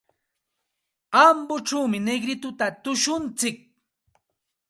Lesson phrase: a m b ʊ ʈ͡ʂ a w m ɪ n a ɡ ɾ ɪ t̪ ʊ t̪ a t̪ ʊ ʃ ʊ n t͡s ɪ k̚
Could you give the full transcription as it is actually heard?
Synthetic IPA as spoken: a m b ʊ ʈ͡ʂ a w m ɪ n e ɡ ɾ ɪ t̪ ʊ t̪ a t̪ ʊ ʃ ʊ n t͡s ɪ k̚